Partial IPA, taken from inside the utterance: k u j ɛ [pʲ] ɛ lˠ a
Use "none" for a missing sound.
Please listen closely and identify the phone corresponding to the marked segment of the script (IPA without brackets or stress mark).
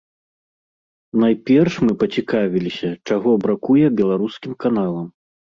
bʲ